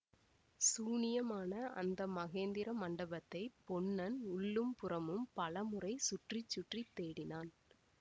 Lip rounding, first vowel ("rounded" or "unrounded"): rounded